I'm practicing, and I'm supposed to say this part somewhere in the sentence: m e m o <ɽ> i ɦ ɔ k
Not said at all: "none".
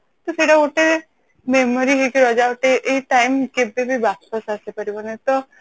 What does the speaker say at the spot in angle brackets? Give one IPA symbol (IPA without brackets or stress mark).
ɾ